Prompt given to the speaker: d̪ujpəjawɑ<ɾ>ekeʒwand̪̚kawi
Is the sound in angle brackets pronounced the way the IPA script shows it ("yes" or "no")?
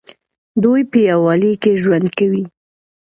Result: no